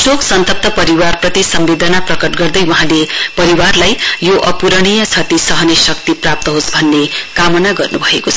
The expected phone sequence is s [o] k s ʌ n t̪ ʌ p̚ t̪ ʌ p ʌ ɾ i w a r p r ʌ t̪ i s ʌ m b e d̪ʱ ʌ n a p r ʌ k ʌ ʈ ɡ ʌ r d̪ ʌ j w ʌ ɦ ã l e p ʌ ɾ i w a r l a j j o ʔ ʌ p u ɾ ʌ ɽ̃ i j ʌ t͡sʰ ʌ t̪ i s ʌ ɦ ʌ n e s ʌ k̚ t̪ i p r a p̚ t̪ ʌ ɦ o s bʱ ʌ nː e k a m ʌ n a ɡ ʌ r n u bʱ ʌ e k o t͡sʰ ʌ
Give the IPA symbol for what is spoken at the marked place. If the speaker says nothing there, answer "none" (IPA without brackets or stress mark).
o